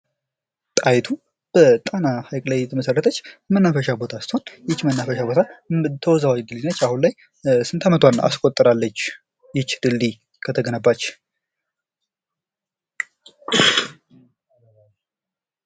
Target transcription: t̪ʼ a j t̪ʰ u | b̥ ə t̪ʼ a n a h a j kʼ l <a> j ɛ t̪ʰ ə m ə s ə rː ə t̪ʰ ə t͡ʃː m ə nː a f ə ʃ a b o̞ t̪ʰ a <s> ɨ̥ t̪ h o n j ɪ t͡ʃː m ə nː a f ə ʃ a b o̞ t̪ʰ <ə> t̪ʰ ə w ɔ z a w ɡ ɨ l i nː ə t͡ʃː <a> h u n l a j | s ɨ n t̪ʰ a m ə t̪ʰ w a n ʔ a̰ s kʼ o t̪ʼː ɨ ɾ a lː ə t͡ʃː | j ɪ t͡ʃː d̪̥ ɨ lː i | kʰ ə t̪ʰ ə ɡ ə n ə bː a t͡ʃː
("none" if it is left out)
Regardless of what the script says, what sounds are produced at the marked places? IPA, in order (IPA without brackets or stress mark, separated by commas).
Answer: a, s, a, a